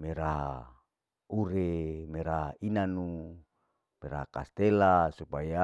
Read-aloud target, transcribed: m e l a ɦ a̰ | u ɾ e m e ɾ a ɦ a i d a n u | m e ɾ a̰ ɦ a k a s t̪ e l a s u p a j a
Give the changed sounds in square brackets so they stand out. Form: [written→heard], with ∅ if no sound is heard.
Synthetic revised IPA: m e [l→ɾ] a ɦ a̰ | u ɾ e m e ɾ a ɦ a i [d→n] a n u | m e ɾ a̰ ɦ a k a s t̪ e l a s u p a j a